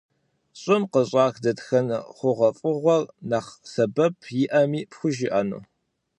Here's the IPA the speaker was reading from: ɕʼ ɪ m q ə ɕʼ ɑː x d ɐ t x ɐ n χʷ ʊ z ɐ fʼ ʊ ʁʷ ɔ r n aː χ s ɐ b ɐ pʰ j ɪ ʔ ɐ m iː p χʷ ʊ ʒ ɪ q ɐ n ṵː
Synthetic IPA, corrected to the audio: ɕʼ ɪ m q ə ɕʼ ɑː x d ɐ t x ɐ n χʷ ʊ ʁ ɐ fʼ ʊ ʁʷ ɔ r n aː χ s ɐ b ɐ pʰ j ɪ ʔ ɐ m iː p xʷ ʊ ʒ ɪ ʔ ɐ n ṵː